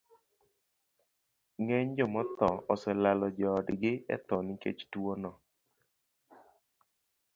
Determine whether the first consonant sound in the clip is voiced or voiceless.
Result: voiced